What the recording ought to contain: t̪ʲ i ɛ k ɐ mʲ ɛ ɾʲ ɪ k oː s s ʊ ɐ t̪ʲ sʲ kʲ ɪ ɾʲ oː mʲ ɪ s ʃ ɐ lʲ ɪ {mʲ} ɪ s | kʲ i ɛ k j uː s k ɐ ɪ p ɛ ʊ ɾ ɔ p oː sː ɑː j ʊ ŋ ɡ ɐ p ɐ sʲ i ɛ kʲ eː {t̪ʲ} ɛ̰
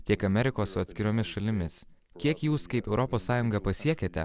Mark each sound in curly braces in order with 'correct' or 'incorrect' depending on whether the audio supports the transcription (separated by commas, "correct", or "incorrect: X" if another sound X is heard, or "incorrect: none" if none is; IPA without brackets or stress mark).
correct, correct